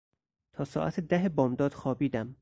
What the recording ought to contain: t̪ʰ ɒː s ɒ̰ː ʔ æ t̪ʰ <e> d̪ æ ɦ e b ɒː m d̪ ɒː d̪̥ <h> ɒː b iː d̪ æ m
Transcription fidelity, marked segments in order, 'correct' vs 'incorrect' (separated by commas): correct, incorrect